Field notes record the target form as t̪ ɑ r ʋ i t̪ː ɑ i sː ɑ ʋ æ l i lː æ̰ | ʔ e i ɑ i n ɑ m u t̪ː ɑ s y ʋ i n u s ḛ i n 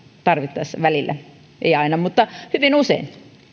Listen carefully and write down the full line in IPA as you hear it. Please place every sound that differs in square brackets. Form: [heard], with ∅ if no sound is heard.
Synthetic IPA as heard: t̪ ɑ r ʋ i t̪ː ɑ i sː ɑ ʋ æ l i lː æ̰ | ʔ e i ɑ i n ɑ m u t̪ː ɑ [h] y ʋ i n u s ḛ i n